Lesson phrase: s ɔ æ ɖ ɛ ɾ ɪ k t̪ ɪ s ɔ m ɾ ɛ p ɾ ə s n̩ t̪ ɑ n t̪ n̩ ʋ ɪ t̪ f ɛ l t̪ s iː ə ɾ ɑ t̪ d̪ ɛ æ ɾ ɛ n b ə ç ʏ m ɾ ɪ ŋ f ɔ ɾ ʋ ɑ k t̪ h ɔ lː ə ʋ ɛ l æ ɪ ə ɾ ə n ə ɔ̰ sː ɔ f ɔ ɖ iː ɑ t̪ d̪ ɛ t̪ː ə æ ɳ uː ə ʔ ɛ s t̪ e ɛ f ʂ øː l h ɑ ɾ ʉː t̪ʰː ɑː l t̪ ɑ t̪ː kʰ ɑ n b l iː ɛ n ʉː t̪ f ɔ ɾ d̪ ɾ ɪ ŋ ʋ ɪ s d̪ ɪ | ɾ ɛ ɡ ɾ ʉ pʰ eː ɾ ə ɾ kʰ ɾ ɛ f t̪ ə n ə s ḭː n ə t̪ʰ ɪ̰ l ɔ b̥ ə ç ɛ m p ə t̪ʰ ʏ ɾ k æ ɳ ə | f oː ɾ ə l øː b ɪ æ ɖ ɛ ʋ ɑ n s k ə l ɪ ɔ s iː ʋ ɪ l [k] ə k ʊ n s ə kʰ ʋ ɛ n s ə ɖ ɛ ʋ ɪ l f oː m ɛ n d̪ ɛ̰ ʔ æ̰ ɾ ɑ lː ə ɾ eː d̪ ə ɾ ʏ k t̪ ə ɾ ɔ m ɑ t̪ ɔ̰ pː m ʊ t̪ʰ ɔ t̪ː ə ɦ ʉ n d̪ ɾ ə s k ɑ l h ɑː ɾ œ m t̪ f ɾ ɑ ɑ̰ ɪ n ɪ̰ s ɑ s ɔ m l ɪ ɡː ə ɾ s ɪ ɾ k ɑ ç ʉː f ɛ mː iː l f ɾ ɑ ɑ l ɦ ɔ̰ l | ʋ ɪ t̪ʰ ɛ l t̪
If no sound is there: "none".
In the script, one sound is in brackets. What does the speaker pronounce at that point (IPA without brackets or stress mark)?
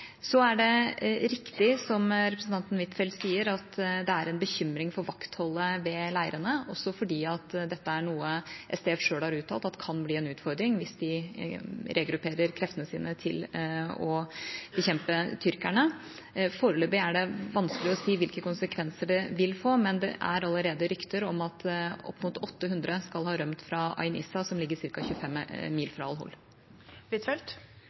k